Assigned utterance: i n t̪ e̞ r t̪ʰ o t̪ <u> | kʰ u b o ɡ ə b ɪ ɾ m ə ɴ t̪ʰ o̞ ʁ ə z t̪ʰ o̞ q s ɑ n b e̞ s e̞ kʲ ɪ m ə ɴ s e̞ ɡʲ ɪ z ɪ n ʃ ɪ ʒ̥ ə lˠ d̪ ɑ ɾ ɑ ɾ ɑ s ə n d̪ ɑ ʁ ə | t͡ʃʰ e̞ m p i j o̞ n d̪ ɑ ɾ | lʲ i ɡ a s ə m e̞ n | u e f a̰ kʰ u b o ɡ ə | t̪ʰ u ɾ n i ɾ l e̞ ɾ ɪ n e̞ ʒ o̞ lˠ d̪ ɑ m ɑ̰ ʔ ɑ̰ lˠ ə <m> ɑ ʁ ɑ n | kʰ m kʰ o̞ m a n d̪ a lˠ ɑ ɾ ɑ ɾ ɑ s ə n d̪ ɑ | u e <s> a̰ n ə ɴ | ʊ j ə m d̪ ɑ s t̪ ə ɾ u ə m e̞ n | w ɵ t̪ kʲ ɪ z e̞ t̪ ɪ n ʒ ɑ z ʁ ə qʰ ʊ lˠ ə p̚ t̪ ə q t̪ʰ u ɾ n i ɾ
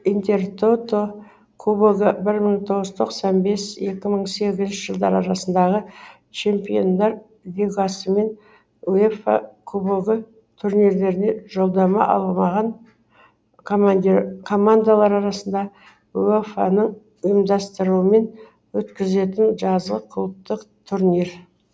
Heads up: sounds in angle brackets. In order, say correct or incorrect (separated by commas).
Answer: incorrect, correct, incorrect